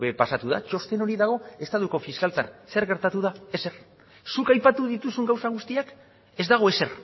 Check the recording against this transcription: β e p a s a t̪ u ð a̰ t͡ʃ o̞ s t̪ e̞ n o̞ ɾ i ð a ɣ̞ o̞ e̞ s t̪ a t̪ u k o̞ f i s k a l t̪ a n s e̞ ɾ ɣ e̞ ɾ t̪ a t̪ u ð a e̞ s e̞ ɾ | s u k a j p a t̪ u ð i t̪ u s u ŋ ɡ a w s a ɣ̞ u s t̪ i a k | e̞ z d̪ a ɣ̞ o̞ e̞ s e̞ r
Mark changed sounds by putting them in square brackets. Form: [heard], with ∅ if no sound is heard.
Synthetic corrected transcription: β e p a s a t̪ u ð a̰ t͡ʃ o̞ s t̪ e̞ n o̞ ɾ i ð a ɣ̞ o̞ e̞ s t̪ a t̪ u k o̞ f i s k a l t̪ a n s e̞ ɾ ɣ e̞ ɾ t̪ a t̪ u ð a e̞ s e̞ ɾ | s u k a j p a t̪ u ð i t̪ u s u ŋ ɡ a w s a ɣ̞ u s t̪ i a k | e̞ z d̪ a ɣ̞ o̞ e̞ s e̞ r